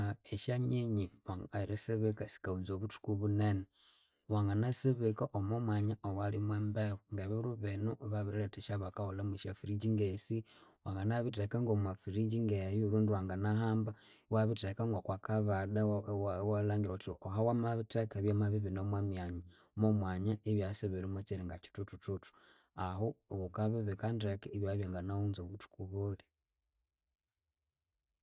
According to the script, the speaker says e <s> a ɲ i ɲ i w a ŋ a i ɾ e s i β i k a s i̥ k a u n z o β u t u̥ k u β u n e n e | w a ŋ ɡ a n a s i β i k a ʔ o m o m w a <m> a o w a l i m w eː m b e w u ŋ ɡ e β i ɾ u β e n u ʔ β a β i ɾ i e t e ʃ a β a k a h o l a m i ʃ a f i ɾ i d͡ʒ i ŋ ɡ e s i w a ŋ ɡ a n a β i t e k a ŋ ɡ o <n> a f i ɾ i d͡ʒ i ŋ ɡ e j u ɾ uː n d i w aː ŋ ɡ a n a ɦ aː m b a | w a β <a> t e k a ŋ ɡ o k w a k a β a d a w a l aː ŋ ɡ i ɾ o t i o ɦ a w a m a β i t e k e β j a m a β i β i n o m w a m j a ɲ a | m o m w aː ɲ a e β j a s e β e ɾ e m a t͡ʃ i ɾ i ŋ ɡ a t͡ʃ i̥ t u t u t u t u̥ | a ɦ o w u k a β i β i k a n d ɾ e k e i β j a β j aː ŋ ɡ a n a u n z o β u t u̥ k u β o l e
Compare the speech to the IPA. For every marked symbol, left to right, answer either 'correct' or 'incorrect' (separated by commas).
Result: incorrect, incorrect, incorrect, incorrect